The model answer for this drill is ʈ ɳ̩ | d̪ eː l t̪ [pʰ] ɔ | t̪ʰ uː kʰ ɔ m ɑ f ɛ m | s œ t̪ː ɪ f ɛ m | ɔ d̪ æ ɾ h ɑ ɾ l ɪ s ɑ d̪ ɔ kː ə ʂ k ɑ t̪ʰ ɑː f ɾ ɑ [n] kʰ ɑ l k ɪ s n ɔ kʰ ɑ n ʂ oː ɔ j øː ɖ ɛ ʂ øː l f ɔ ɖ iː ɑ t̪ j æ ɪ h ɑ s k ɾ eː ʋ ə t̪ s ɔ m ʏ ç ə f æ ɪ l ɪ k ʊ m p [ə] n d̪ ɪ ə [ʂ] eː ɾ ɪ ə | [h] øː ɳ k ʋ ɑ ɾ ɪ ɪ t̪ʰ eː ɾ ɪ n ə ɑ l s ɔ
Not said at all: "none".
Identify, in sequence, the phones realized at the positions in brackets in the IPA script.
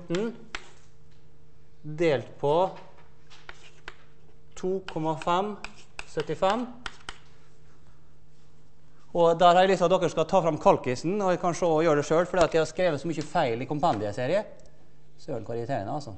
pʰ, m, ɑ, s, s

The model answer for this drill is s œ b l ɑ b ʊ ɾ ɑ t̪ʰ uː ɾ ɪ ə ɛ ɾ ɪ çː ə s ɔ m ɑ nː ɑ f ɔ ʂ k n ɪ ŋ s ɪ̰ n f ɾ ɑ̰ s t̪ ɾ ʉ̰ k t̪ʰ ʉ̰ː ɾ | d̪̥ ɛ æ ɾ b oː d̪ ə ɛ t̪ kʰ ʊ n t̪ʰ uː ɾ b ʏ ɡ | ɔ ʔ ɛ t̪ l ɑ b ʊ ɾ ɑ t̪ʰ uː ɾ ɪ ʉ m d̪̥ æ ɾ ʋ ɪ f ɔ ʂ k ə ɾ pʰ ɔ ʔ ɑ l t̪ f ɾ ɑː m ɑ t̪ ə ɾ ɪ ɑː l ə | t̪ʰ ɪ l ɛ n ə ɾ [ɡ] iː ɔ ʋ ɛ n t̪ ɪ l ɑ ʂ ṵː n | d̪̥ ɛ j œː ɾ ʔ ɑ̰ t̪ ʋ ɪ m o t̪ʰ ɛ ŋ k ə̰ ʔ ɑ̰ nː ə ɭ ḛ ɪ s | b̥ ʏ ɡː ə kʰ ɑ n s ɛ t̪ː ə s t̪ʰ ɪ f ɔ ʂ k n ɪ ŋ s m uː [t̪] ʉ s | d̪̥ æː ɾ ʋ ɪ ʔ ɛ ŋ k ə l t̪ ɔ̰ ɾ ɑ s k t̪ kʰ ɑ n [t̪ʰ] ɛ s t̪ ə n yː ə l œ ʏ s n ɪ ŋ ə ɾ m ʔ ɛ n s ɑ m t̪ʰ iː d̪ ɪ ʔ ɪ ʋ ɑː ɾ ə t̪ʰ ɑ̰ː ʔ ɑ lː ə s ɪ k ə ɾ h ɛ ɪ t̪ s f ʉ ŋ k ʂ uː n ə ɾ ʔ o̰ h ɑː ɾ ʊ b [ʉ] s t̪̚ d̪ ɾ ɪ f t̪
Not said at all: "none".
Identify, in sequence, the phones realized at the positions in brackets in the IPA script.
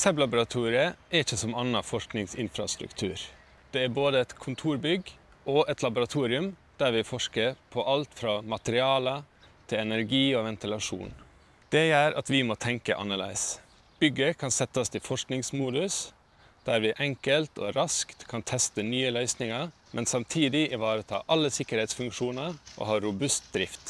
ɡ, d̪, t̪ʰ, ʉ

